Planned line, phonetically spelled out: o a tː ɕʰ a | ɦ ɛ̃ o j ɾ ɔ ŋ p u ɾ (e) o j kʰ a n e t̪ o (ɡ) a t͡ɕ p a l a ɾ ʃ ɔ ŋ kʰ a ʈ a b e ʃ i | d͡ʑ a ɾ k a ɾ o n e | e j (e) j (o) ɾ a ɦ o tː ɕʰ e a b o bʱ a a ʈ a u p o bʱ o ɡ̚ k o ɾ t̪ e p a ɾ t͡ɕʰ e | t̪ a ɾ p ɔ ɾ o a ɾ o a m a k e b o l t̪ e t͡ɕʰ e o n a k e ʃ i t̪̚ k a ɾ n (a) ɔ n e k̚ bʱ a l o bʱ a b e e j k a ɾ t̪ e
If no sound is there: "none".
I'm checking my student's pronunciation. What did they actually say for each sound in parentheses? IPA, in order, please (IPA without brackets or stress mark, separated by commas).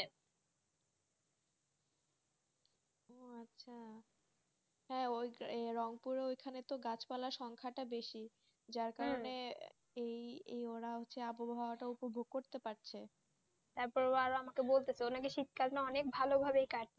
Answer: e, ɡ, e, o, a